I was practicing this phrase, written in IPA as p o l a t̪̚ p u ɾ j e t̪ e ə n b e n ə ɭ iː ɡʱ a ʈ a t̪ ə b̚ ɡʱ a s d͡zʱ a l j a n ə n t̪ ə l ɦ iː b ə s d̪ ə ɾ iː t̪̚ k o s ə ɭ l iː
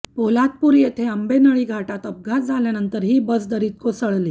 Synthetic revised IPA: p o l a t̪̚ p u ɾ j e t̪ʰ e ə m b e n ə ɭ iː ɡʱ a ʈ a t̪ ə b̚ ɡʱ a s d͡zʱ a l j a n ə n t̪ ə ɾ ɦ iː b ə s d̪ ə ɾ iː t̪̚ k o s ə ɭ l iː